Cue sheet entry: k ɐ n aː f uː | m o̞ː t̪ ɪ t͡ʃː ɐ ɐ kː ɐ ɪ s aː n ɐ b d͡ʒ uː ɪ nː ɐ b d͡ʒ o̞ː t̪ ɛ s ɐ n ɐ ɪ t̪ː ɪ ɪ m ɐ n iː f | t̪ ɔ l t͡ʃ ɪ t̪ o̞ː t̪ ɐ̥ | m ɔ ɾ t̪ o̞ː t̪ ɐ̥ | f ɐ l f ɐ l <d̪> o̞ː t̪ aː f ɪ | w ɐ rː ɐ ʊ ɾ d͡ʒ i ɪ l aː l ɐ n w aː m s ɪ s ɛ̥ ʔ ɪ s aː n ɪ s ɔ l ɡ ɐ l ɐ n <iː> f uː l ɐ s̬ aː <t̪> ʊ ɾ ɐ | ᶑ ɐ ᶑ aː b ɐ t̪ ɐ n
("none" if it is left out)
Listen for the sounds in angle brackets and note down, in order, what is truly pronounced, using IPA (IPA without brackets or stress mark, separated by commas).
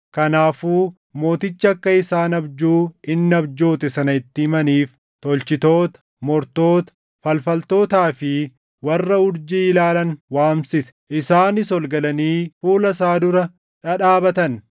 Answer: t̪, iː, d̪